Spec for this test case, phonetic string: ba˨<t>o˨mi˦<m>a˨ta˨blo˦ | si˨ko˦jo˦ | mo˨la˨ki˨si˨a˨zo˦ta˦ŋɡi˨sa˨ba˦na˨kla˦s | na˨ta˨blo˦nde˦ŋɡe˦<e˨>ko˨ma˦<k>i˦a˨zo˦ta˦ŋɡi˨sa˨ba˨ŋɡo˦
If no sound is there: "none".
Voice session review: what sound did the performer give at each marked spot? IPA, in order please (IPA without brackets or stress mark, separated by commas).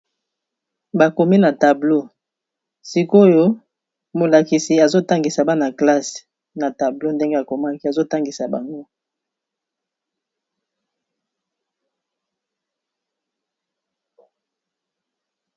k, n, a˨, k